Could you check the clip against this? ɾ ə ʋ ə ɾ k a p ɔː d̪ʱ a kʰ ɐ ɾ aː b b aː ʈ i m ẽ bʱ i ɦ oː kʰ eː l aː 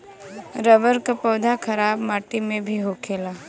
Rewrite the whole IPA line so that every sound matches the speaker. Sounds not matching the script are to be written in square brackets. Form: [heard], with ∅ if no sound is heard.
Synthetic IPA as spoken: ɾ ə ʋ ə ɾ k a p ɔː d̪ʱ a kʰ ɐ ɾ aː b [m] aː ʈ i m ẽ bʱ i ɦ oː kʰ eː l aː